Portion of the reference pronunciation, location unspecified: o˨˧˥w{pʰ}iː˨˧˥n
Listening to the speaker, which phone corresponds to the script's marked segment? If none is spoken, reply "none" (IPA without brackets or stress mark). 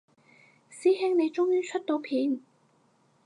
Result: pʰ